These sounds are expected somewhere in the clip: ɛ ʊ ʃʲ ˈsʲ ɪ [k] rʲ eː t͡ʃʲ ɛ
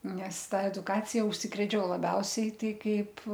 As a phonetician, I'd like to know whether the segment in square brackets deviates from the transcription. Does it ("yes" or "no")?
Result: no